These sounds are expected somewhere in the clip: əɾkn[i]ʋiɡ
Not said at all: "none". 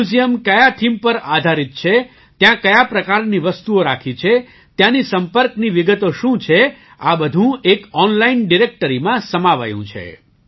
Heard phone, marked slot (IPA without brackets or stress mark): i